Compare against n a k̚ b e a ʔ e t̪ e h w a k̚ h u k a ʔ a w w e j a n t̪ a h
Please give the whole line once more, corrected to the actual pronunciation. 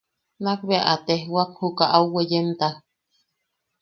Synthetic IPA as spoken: n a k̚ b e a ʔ a t̪ e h w a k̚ h u k a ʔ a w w e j e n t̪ a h